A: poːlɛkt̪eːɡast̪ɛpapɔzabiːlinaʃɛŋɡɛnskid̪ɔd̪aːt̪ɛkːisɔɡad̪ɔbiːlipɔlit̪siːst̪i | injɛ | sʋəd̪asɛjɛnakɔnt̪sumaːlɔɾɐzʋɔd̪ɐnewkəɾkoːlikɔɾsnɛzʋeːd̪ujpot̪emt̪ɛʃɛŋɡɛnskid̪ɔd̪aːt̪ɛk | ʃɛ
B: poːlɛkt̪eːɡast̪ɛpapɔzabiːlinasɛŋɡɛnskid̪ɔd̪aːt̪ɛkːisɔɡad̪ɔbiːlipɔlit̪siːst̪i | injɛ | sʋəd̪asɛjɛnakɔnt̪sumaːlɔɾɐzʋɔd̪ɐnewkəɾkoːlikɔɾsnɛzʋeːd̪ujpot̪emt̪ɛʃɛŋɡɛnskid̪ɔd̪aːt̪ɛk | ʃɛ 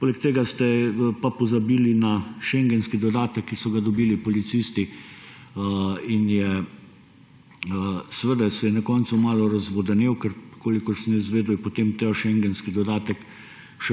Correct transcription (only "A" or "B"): A